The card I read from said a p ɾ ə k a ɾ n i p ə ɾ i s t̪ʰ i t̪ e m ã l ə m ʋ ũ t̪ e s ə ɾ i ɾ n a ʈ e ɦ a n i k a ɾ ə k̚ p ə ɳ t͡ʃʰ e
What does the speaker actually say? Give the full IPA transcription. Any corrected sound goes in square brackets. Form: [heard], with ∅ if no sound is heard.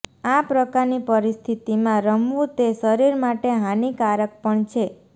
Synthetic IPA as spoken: a p ɾ ə k a ɾ n i p ə ɾ i s t̪ʰ i t̪ [i] m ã [ɾ] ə m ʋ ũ t̪ e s ə ɾ i ɾ [m] a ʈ e ɦ a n i k a ɾ ə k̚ p ə ɳ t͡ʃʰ e

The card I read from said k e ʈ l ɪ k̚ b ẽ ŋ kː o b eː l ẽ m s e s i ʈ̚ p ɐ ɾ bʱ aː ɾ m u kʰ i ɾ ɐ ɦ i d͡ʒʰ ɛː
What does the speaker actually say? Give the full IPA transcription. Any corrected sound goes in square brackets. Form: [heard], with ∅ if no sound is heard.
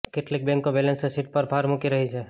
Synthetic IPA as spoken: k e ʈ l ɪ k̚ b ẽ ŋ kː o b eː l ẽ [n] s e s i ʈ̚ p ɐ ɾ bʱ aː ɾ m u [k] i ɾ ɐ ɦ i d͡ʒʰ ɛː

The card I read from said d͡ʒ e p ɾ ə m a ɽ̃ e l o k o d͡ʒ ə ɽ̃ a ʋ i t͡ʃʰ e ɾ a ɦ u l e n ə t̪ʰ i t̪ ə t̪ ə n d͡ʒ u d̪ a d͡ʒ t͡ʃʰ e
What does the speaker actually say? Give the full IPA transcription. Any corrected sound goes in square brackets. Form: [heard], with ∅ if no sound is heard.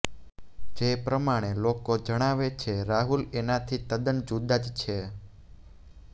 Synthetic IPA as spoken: d͡ʒ e p ɾ ə m a ɽ̃ e l o k o d͡ʒ ə ɽ̃ a ʋ [e] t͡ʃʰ e ɾ a ɦ u l e n [a] t̪ʰ i t̪ ə [d̪] ə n d͡ʒ u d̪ a d͡ʒ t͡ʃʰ e

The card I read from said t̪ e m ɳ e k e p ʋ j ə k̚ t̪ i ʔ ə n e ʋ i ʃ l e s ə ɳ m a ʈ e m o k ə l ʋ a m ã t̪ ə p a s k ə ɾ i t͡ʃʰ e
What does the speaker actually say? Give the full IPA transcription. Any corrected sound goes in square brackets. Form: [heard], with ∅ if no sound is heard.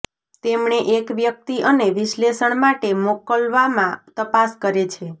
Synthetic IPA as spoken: t̪ e m ɳ e [ʔ] e [k] ʋ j ə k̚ t̪ i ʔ ə n e ʋ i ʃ l e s ə ɳ m a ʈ e m o k ə l ʋ a m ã t̪ ə p a s k ə ɾ [e] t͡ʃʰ e

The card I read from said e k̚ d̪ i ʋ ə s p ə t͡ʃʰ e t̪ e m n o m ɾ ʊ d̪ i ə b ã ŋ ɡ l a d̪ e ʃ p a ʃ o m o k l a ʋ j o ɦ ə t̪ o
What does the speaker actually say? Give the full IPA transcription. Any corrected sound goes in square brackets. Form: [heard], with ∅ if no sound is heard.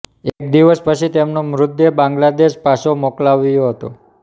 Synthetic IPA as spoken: e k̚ d̪ i ʋ ə s p ə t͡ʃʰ [i] t̪ e m n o m ɾ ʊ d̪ [j] ə b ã ŋ ɡ l a d̪ e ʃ p a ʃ o m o k l a ʋ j o ɦ ə t̪ o

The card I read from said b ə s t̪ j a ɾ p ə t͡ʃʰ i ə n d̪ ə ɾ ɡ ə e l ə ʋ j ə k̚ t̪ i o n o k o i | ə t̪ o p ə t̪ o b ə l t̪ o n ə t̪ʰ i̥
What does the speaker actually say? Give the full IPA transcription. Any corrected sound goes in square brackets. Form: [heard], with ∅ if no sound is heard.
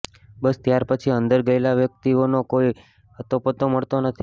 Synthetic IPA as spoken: b ə s t̪ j a ɾ p ə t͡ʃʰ i ə n d̪ ə ɾ ɡ ə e l [a] ʋ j ə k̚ t̪ i o n o k o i | ə t̪ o p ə t̪ o [m] ə [ɭ] t̪ o n ə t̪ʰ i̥

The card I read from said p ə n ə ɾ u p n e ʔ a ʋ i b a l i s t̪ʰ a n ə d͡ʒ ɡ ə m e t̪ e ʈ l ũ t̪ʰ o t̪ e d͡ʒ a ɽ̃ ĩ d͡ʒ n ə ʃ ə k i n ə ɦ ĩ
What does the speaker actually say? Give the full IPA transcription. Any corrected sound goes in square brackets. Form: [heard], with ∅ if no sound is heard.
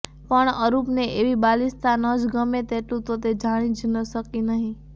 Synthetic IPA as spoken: p ə [ɳ] ə ɾ u p n e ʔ [e] ʋ i b a l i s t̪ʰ a n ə d͡ʒ ɡ ə m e t̪ e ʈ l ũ [t̪] o t̪ e d͡ʒ a ɽ̃ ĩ d͡ʒ n ə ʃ ə k i n ə ɦ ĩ

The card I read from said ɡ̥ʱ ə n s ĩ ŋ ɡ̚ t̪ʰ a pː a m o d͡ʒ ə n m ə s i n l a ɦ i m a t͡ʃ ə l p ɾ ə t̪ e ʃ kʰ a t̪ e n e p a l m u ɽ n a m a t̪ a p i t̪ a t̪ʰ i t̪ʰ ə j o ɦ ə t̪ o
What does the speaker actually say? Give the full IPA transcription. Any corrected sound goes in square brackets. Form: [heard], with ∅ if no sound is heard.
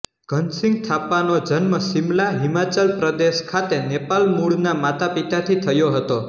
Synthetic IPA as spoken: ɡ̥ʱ ə n s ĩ ŋ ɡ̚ t̪ʰ a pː a [n] o d͡ʒ ə n m ə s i [m] l a ɦ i m a t͡ʃ ə l p ɾ ə [d̪] e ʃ kʰ a t̪ e n e p a l m u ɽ n a m a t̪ a p i t̪ a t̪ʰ i t̪ʰ ə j o ɦ ə t̪ o

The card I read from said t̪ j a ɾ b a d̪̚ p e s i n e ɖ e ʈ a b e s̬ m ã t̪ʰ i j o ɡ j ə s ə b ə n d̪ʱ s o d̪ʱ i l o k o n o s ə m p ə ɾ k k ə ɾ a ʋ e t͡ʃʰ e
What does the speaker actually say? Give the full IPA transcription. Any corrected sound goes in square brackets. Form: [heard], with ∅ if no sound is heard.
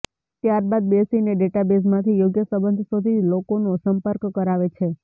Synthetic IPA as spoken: t̪ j a ɾ b a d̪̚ [b] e s i n e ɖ e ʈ a b e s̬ m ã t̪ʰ i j o ɡ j ə s ə b ə n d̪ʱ s o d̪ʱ i l o k o n o s ə m p ə ɾ k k ə ɾ a ʋ e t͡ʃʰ e

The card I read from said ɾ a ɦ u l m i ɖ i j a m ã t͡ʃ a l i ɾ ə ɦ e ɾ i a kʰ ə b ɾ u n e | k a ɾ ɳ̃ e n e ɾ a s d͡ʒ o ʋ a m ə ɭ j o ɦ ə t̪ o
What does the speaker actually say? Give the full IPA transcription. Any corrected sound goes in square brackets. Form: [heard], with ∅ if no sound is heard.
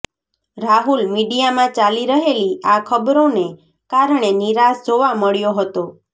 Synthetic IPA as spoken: ɾ a ɦ u l m i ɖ i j a m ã t͡ʃ a l i ɾ ə ɦ e [l] i a kʰ ə b ɾ [o] n e | k a ɾ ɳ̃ e n [i] ɾ a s d͡ʒ o ʋ a m ə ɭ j o ɦ ə t̪ o

